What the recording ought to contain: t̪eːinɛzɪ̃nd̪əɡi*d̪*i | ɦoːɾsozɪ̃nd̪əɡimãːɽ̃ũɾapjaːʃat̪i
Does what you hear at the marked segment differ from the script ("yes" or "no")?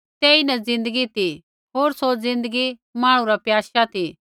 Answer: yes